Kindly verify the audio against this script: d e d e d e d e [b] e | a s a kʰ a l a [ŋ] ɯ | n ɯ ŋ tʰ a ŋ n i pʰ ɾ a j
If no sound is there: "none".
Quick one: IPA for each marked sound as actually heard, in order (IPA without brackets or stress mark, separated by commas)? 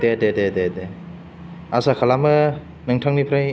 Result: d, m